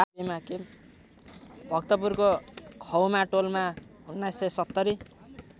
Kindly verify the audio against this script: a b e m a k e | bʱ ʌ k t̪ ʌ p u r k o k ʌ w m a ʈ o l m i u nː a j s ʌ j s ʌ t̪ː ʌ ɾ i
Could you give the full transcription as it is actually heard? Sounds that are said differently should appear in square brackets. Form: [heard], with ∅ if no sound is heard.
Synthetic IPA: a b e m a k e | bʱ ʌ k t̪ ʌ p u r k o [kʰ] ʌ w m a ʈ o l m [a] u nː a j s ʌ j s ʌ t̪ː ʌ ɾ i